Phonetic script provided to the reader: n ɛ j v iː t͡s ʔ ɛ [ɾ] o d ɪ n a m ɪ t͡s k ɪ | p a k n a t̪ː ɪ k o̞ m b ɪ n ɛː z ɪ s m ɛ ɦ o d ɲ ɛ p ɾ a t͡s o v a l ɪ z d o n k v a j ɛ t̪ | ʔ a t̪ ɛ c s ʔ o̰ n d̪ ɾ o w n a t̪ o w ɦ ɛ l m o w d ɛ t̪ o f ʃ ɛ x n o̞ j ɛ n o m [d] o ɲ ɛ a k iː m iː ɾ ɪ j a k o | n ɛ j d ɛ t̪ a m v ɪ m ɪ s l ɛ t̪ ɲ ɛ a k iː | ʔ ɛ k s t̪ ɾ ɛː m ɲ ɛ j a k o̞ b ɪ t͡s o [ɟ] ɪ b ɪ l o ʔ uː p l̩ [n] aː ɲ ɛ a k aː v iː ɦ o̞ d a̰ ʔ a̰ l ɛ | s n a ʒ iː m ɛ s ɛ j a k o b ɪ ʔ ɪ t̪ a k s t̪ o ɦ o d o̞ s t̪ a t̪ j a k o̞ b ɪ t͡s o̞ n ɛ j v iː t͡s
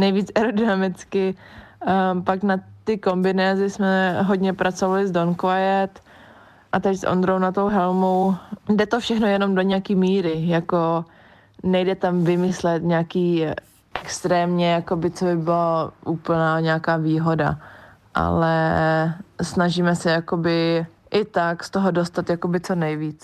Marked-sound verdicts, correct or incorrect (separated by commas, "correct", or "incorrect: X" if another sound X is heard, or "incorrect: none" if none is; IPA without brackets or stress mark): correct, correct, incorrect: b, correct